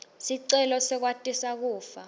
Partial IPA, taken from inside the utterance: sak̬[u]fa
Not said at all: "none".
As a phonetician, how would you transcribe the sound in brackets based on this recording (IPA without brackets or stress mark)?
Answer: uː